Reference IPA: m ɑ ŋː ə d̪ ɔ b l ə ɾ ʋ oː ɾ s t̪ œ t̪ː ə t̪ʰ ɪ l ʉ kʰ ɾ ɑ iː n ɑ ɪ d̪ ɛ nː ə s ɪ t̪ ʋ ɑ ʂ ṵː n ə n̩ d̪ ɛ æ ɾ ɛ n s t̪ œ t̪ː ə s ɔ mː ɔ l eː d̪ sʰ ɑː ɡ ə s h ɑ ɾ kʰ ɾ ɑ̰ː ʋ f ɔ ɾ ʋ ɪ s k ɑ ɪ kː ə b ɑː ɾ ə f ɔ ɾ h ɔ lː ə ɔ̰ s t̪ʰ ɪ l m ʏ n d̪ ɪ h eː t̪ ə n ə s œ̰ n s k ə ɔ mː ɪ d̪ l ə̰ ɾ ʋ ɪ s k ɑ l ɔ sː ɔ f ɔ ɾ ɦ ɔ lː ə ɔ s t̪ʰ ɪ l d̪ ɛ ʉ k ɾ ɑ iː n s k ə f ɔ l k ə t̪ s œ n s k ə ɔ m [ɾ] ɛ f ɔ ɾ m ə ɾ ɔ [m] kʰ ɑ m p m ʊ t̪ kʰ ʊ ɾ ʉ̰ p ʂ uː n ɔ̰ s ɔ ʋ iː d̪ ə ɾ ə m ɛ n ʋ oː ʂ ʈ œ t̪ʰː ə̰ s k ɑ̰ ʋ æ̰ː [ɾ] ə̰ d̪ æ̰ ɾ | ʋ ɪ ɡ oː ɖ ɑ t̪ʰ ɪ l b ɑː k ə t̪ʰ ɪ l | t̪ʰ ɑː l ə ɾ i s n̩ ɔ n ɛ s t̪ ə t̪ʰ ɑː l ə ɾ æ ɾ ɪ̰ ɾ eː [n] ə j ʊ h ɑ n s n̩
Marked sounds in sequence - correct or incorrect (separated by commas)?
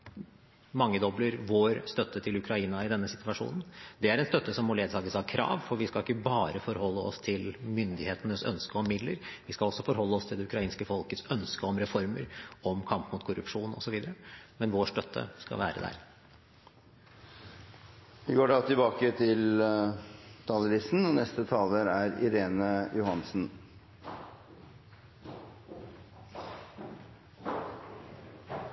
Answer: correct, correct, correct, correct